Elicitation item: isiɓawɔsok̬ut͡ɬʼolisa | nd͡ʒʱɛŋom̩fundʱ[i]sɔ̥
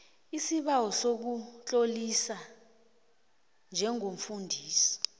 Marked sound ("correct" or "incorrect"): incorrect